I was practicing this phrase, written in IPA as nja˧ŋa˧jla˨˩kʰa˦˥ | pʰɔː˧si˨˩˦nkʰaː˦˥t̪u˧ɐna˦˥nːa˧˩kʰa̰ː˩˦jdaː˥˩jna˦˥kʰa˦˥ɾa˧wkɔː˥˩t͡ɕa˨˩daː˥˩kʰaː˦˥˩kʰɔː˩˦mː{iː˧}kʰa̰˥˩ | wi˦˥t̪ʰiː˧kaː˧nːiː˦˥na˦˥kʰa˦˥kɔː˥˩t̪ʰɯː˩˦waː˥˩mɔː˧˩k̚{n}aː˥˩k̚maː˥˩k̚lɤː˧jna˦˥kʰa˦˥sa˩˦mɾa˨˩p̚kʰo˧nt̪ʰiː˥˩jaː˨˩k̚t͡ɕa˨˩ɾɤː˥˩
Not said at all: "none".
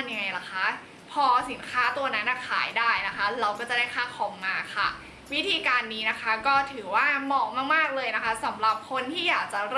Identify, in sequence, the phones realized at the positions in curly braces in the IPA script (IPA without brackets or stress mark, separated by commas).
aː˧, m